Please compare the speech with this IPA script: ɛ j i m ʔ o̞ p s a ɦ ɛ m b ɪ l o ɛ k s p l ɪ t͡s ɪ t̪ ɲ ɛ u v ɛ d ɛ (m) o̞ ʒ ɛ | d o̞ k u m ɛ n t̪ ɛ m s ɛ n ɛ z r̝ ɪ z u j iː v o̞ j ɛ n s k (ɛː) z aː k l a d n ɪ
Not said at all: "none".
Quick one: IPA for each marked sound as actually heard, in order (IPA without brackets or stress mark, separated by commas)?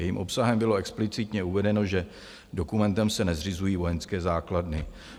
n, ɛː